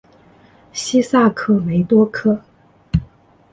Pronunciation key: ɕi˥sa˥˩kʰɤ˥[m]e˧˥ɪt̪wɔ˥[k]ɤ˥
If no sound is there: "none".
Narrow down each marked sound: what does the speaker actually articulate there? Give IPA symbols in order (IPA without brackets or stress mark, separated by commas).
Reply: m, kʰ